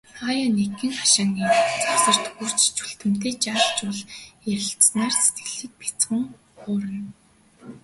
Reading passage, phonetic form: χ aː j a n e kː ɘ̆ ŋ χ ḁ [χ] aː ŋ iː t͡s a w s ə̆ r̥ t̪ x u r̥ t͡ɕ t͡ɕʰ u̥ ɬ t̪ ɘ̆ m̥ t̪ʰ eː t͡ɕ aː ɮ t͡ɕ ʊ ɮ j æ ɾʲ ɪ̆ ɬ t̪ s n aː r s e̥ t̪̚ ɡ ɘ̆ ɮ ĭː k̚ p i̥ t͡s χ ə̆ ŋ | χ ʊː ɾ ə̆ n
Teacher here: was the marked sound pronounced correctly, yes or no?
no